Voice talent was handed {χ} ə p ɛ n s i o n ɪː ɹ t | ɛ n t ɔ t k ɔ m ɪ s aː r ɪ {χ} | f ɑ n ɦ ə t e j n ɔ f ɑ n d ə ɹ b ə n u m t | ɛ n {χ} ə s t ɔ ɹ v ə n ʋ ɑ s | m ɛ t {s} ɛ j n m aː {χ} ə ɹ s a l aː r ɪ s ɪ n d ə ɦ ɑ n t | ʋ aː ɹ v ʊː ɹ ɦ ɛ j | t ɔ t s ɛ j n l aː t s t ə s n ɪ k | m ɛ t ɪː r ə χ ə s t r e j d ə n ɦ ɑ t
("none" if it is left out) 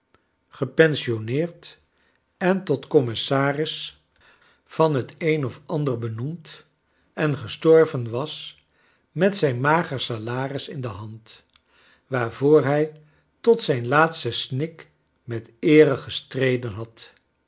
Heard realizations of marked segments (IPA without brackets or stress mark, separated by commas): χ, s, χ, s, χ